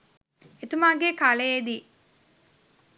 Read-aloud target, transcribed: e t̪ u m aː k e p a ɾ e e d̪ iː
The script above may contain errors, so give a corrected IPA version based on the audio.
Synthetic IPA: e t̪ u m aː ɡ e k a l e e d̪ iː